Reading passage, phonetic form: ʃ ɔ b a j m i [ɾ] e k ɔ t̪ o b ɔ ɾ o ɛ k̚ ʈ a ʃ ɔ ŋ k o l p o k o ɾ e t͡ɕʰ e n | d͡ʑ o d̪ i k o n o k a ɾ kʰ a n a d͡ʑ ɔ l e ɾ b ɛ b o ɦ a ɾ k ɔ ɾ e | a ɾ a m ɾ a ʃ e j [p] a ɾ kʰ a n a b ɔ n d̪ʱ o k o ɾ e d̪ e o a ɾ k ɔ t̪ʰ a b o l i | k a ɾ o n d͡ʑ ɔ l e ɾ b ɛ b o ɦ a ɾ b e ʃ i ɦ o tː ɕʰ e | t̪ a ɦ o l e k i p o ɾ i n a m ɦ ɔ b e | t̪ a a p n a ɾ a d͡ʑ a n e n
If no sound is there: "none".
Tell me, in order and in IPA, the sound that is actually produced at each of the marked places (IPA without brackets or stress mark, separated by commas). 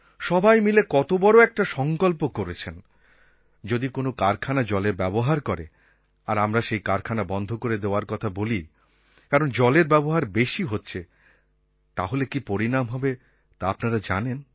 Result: l, k